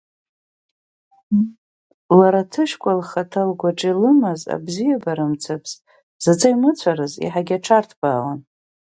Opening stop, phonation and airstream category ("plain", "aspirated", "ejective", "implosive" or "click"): aspirated